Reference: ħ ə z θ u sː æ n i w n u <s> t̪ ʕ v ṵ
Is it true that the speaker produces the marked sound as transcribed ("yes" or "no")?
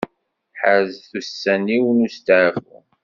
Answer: yes